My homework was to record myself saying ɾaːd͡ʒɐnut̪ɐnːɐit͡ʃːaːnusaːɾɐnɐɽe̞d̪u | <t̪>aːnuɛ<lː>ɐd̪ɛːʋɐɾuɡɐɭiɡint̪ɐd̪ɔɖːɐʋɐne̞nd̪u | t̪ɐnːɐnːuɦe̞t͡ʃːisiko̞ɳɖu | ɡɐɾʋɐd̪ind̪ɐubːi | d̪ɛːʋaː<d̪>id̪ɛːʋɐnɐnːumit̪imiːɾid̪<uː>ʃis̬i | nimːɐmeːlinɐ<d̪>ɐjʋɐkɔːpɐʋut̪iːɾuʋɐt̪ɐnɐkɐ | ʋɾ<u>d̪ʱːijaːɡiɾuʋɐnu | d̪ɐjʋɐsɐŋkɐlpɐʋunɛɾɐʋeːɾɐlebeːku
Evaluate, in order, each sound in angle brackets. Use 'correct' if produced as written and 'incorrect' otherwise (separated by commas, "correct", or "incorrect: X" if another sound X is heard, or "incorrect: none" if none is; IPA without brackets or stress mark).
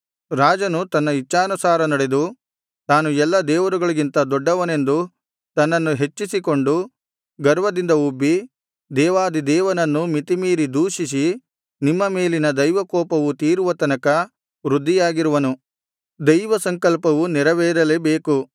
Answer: correct, correct, correct, correct, correct, correct